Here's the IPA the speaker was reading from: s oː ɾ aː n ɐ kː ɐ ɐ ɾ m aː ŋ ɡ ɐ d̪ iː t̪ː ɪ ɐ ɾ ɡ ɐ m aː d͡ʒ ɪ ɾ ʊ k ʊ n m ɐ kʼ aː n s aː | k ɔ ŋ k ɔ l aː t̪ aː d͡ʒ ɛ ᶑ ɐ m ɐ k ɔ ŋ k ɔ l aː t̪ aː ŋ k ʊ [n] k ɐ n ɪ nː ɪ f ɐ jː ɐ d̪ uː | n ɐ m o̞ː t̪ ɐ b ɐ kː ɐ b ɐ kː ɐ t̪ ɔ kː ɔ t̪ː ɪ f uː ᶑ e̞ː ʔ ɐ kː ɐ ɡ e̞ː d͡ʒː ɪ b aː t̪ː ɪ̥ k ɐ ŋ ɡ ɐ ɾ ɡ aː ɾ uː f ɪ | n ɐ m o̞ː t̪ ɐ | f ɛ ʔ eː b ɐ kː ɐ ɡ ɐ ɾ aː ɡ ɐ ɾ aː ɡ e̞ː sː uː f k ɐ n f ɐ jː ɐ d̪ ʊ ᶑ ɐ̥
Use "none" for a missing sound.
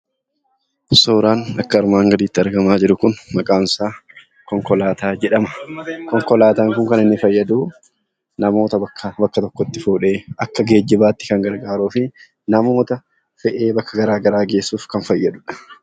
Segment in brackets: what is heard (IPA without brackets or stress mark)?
ŋ